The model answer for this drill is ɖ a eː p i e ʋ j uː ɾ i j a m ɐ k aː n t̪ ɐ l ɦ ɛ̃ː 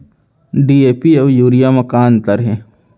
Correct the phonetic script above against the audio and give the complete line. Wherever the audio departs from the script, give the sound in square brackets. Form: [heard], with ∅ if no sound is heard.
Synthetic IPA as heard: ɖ [i] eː p i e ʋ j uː ɾ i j a m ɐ k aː n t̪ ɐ [ɾ] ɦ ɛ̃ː